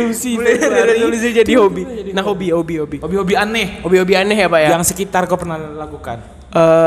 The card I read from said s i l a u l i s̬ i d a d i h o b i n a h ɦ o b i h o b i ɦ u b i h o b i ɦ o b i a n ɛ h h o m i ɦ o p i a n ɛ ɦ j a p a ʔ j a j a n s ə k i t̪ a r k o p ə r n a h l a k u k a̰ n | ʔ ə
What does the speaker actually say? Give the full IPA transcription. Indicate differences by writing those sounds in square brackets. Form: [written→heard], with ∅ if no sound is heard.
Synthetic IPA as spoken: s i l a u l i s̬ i [d→d͡ʒ] a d i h o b i n a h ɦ o b i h o b i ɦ [u→o] b i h o b i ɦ o b i a n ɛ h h o [m→b] i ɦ o [p→b] i a n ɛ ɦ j a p a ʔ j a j a [n→ŋ] s ə k i t̪ a r k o p ə r n a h l a k u k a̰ n | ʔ ə